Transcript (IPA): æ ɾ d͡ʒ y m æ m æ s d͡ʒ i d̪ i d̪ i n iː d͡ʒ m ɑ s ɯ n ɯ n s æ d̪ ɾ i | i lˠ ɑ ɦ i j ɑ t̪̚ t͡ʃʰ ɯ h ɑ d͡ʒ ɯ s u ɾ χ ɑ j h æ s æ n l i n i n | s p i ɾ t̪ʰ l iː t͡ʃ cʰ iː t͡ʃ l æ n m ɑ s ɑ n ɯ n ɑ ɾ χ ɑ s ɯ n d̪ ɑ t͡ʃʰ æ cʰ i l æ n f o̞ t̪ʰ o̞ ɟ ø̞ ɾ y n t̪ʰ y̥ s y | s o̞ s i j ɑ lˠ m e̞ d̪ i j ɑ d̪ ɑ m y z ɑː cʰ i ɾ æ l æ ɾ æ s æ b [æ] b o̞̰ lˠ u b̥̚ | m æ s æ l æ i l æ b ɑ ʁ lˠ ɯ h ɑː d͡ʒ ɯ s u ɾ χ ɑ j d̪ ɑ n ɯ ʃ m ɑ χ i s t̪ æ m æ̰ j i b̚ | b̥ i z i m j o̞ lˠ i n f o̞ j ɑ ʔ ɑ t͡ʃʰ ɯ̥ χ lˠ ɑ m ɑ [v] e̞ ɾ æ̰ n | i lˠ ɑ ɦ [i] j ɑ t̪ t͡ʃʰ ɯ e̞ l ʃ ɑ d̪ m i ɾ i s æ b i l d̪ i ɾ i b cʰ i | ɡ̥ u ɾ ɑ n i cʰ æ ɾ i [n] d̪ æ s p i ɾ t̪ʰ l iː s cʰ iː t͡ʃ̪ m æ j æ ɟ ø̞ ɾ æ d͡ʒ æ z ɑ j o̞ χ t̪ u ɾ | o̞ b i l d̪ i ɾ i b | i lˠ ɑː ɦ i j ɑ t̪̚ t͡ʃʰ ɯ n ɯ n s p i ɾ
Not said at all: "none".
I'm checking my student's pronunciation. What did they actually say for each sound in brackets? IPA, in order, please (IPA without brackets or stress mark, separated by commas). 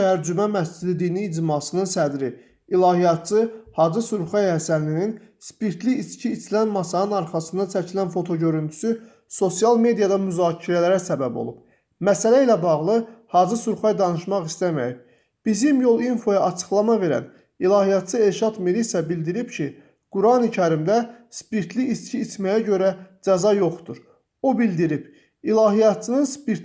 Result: æ, v, i, m